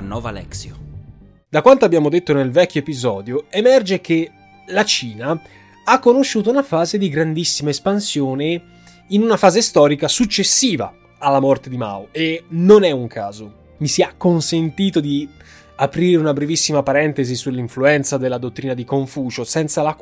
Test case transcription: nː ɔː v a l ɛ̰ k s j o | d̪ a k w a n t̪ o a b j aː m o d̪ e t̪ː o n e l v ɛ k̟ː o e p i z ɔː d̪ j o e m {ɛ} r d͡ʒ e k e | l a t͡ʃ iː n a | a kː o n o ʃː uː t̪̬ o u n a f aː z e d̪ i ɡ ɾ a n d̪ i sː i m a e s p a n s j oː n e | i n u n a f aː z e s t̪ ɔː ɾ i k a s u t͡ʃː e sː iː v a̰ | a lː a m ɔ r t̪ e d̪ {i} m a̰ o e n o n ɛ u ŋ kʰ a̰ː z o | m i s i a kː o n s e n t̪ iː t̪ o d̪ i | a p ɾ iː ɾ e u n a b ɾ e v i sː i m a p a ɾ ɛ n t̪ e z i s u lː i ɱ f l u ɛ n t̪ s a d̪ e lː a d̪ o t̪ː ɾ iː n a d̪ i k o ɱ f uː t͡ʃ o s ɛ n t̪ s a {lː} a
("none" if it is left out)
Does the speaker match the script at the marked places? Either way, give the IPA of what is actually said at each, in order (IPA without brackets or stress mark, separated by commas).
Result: ɛ, i, l